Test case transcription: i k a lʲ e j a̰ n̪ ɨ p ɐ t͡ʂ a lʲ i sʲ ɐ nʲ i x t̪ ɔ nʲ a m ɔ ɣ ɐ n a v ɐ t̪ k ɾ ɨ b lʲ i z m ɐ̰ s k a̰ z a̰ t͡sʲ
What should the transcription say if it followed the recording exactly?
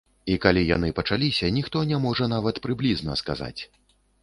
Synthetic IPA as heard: i k a lʲ i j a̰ n̪ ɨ p ɐ t͡ʂ a lʲ i sʲ ɐ nʲ i x t̪ ɔ nʲ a m ɔ ʐ ɐ n a v ɐ t̪ p ɾ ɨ b lʲ i z n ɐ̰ s k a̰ z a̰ t͡sʲ